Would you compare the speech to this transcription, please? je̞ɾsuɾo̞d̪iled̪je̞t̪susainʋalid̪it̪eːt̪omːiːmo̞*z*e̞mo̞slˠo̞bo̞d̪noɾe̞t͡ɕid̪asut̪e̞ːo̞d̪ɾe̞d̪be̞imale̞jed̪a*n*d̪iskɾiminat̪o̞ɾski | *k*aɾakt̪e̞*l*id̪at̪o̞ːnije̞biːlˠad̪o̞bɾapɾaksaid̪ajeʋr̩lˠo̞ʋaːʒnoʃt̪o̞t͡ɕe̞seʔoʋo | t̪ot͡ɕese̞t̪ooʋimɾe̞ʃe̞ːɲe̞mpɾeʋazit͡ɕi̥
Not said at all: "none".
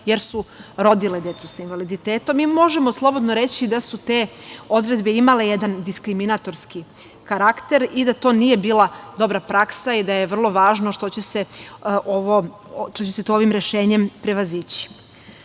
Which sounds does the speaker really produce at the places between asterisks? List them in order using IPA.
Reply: ʒ, n, k, ɾ

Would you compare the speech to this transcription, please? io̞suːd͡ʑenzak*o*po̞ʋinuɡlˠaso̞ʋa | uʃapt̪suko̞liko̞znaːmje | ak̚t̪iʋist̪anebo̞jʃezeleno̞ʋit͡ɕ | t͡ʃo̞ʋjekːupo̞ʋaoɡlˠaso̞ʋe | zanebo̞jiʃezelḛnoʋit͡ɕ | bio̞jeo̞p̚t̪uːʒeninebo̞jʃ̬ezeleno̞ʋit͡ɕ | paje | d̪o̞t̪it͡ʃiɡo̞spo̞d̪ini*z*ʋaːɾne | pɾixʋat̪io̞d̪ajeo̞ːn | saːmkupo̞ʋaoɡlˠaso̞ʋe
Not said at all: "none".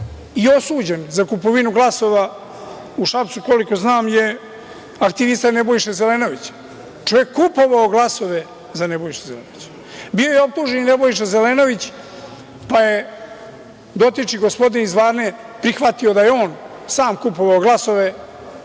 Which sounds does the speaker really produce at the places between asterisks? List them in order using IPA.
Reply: u, z

